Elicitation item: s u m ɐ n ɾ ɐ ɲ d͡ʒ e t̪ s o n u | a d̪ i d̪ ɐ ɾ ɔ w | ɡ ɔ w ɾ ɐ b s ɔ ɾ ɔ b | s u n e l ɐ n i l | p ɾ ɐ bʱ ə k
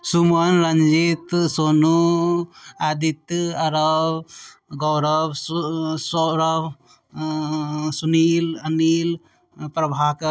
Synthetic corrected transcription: s u m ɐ n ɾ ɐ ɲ d͡ʒ i t̪ s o n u | a d̪ i t̪ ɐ ɾ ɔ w | ɡ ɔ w ɾ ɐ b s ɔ ɾ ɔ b | s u n i l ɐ n i l | p ɾ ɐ bʱ a k